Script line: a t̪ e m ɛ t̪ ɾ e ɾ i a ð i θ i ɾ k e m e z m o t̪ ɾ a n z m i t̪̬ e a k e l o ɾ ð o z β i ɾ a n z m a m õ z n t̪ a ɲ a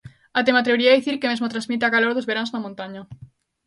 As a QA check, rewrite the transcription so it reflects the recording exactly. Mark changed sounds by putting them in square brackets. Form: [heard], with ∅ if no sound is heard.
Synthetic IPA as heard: a t̪ e m [a] t̪ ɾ e ɾ i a ð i θ i ɾ k e m e z m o t̪ ɾ a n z m i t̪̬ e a k [a] l o ɾ ð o z β [e] ɾ a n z [n] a m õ [∅] n t̪ a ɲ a